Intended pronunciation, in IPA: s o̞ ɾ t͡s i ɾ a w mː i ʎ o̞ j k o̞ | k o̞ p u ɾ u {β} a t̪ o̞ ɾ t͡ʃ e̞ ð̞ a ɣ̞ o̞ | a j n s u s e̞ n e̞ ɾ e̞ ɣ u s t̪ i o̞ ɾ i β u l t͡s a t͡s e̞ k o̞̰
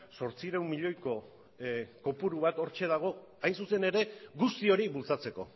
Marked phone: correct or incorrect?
correct